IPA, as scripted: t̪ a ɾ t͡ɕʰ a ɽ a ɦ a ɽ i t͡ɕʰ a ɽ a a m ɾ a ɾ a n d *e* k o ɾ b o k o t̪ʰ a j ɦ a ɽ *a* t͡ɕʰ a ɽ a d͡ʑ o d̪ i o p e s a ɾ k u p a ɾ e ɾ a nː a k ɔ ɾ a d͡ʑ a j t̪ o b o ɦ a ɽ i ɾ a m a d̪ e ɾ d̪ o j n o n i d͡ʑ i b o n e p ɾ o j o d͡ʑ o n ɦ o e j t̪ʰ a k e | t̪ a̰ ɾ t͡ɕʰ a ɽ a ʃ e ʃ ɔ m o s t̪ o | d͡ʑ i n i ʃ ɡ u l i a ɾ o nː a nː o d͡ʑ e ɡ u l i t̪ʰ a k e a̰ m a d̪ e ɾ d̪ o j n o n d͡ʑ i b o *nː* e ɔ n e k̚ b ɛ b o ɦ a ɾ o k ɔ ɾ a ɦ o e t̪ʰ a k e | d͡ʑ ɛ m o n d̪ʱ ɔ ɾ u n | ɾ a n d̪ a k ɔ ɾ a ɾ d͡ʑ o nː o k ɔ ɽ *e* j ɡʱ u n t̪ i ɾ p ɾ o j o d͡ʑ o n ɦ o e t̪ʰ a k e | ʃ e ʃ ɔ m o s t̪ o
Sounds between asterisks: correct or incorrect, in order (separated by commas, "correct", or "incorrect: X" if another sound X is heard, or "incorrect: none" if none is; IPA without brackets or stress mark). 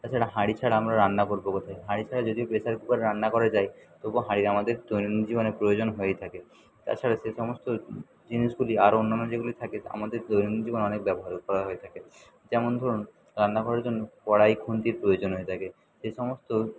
incorrect: a, incorrect: i, incorrect: n, incorrect: a